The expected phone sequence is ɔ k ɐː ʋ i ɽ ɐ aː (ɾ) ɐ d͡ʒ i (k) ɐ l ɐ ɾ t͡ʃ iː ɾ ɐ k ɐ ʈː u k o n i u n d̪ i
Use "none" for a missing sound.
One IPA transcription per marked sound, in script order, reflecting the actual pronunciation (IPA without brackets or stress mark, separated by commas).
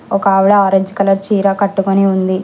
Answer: ɾ, k